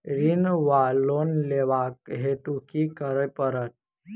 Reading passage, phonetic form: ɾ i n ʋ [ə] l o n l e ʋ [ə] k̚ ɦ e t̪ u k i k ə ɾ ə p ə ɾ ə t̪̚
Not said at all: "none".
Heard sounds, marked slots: a, a

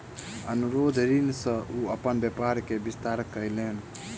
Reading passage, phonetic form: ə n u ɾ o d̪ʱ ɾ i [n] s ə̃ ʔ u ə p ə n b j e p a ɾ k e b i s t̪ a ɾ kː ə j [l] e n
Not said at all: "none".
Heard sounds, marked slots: n, l

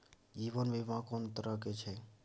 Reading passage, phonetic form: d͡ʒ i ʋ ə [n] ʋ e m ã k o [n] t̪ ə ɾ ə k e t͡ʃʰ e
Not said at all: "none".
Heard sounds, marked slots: n, n

